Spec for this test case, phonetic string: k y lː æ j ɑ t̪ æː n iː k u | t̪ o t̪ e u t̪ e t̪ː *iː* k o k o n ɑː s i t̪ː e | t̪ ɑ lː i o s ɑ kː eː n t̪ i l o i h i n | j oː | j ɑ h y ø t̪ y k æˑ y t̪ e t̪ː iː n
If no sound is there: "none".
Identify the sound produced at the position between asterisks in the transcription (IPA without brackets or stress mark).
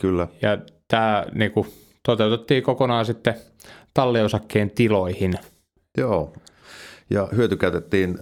iː